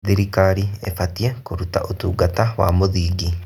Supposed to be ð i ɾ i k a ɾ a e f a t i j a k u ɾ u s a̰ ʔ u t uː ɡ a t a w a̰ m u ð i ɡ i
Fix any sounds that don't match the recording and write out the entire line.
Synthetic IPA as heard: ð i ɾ i k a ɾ i e f a t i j e k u ɾ u t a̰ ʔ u t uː ɡ a t a w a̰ m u ð i ɡ i